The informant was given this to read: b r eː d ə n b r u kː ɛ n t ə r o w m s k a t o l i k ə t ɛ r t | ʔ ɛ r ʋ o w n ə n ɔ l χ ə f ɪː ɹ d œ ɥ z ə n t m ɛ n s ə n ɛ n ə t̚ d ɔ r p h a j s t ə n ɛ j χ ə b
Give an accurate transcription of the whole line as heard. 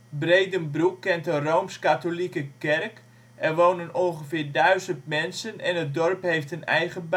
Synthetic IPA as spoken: b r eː d ə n b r u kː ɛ n t ə r o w m s k a t o l i k ə k ɛ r k | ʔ ɛ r ʋ o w n ə n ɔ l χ ə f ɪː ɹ d œ ɥ z ə n t m ɛ n s ə n ɛ n ə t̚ d ɔ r p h e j f t ə n ɛ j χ ə b

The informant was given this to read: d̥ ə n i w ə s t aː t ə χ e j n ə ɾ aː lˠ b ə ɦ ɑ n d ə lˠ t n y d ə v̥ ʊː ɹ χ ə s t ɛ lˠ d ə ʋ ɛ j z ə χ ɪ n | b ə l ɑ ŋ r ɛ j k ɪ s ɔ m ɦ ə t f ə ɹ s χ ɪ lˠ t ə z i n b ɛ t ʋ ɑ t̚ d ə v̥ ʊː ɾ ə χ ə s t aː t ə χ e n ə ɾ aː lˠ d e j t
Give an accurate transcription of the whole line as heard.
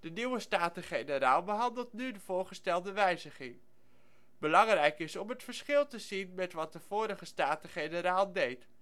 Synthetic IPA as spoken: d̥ ə n i w ə s t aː t ə χ e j n ə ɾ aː lˠ b ə ɦ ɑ n d ə lˠ t n y d ə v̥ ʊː ɹ χ ə s t ɛ lˠ d ə ʋ ɛ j z ə χ ɪ ŋ | b ə l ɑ ŋ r ɛ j k ɪ s ɔ m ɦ ə t f ə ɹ s χ ɪ lˠ t ə z i n m ɛ t ʋ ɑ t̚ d ə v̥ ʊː ɾ ə χ ə s t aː t ə χ e n ə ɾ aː lˠ d e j t

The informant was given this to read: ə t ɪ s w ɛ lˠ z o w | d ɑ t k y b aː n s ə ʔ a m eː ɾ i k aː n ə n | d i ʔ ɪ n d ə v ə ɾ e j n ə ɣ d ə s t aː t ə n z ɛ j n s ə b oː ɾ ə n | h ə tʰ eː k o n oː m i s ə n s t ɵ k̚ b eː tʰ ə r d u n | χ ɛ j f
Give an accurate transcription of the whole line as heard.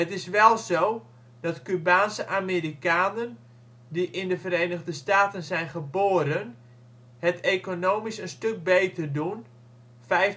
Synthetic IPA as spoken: ə t ɪ s ʋ ɛ lˠ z o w | d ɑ t k y b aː n s ə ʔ a m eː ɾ i k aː n ə n | d i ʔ ɪ n d ə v ə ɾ e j n ə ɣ d ə s t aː t ə n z ɛ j n χ ə b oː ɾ ə n | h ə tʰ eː k o n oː m i s ə n s t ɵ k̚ b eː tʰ ə r d u n | f ɛ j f

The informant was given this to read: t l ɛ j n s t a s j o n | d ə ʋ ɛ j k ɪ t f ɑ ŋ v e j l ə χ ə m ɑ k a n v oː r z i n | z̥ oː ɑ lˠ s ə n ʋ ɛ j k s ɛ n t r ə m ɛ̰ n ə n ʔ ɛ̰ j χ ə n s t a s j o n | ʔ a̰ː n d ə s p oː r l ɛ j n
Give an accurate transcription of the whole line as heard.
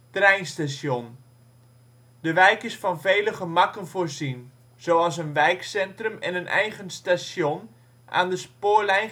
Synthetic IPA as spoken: t r ɛ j n s t a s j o n | d ə ʋ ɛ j k ɪ s f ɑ n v e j l ə χ ə m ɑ k ə n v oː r z i n | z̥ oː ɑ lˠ s ə n ʋ ɛ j k s ɛ n t r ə m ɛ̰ n ə n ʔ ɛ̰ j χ ə n s t a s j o n | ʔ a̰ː n d ə s p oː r l ɛ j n

